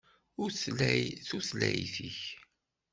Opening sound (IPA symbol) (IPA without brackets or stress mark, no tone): ʊ